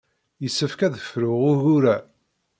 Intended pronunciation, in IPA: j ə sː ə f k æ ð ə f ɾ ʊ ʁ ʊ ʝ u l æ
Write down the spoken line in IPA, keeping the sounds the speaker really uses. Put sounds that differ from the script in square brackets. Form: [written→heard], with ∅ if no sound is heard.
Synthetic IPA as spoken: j ə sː ə f k æ ð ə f ɾ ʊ ʁ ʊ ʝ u [l→ɾ] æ